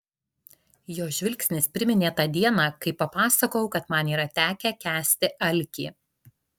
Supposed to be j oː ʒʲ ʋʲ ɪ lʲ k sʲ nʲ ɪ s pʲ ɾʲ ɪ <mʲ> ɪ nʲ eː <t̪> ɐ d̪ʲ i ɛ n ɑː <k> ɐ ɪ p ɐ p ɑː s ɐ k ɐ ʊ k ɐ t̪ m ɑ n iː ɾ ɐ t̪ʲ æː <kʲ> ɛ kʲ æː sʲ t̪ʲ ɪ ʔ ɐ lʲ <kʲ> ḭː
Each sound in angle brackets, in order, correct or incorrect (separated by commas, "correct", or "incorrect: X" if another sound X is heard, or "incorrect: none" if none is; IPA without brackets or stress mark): correct, correct, correct, correct, correct